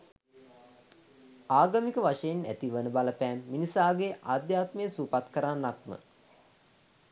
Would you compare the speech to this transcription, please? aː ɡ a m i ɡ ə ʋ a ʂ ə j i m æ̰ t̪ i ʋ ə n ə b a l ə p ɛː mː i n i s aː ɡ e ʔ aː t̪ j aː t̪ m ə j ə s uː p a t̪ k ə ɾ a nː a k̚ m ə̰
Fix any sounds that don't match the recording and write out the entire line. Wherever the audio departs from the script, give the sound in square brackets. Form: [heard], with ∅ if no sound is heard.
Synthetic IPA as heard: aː ɡ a m i [k] ə ʋ a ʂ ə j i [n] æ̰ t̪ i ʋ ə n ə b a l ə p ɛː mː i n i s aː ɡ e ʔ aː [d̪] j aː t̪ m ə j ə s uː p a t̪ k ə ɾ a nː a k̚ m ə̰